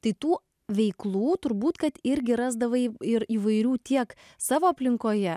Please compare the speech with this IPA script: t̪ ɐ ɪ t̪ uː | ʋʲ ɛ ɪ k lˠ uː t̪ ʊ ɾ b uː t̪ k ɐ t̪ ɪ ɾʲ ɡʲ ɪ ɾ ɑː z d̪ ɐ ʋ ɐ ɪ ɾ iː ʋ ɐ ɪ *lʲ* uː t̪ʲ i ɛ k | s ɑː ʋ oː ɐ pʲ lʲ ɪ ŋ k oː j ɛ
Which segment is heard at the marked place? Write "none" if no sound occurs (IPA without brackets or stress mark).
ɾʲ